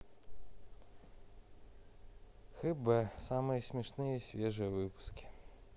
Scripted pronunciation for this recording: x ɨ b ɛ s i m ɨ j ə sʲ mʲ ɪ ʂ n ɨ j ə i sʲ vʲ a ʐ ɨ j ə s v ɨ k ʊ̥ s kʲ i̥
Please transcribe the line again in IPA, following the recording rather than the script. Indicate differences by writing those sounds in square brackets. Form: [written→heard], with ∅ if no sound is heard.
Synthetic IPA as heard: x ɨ b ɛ s [i→a] m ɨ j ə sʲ mʲ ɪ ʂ n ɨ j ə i sʲ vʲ [a→e] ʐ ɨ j ə [s→∅] v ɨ [k→p] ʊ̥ s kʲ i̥